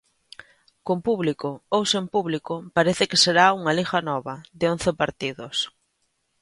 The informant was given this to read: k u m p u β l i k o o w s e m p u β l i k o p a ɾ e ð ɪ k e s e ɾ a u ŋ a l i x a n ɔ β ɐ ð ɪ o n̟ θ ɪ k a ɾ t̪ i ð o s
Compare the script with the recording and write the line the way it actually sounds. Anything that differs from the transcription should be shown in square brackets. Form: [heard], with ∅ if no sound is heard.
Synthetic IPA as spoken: k [o] m p u β l i k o o w s e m p u β l i k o p a ɾ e [θ] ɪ k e s e ɾ a u ŋ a l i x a n ɔ β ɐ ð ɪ o n̟ θ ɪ [p] a ɾ t̪ i ð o s